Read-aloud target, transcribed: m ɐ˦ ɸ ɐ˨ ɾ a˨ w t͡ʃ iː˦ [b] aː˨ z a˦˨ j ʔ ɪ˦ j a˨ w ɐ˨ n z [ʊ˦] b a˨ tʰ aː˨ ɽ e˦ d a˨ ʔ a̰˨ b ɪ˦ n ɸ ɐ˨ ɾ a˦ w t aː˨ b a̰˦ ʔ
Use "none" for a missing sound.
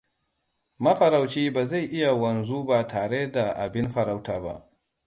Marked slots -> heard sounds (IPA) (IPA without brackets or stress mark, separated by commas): b, u˦